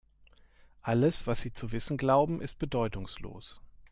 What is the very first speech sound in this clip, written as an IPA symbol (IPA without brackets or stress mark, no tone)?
ʔ